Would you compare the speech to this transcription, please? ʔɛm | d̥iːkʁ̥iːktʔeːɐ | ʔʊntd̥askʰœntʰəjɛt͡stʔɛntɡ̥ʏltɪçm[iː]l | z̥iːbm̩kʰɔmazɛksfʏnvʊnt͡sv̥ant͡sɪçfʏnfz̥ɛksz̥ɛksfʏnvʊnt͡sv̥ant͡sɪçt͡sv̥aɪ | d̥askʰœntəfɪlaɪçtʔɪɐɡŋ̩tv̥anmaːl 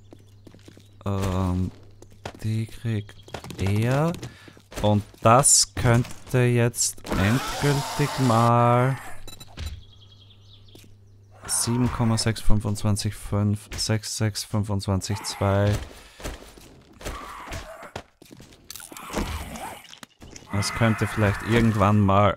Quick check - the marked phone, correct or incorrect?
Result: incorrect